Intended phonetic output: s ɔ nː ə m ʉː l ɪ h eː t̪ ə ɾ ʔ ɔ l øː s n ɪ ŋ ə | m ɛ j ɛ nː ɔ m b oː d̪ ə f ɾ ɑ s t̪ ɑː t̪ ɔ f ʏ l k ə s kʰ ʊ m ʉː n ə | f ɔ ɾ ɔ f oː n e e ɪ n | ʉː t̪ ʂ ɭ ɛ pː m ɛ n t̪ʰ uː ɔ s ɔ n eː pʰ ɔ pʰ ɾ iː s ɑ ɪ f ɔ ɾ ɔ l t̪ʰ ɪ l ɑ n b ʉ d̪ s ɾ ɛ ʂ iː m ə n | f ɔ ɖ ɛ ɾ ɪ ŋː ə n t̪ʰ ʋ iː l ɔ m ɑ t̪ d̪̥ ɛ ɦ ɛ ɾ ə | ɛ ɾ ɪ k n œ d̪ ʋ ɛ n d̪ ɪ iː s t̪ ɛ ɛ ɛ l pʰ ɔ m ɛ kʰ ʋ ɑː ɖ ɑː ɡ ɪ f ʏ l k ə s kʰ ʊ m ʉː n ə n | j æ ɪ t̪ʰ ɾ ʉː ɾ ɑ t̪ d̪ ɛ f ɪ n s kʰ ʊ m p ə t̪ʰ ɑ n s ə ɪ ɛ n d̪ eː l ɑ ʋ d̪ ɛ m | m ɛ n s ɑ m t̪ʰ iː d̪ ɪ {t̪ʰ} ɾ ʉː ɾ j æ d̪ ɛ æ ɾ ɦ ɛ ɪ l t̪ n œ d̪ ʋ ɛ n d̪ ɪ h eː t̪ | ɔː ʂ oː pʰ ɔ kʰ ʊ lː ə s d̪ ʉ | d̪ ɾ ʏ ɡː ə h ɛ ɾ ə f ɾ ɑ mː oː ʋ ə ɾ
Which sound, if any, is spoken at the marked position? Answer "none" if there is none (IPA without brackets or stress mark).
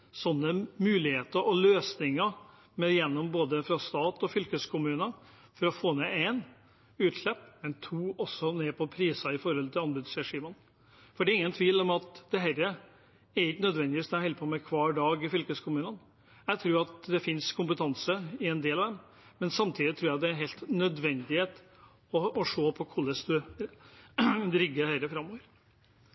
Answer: t̪ʰ